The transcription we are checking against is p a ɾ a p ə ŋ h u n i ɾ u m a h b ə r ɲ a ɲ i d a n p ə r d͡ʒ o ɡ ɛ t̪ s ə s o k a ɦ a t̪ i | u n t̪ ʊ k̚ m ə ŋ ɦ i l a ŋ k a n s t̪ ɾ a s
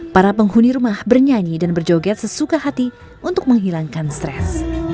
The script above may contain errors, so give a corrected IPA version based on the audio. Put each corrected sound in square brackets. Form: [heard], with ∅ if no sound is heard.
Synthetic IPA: p a ɾ a p ə ŋ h u n i ɾ u m a h b ə r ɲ a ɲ i d a n [b] ə r d͡ʒ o ɡ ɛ t̪ s ə s [u] k a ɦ a t̪ i | u n t̪ ʊ k̚ m ə ŋ ɦ i l a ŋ k a n s t̪ ɾ [ɛ] s